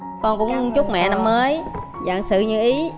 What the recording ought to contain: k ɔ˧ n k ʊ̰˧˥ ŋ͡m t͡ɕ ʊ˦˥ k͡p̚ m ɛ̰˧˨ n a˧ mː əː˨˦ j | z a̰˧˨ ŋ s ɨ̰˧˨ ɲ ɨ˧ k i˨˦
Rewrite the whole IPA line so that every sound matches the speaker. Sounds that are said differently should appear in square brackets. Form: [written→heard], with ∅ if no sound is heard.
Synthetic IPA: k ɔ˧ n k ʊ̰˧˥ ŋ͡m t͡ɕ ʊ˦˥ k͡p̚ m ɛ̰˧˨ n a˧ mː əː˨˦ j | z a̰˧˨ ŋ s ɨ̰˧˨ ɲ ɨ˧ [k→ʔ] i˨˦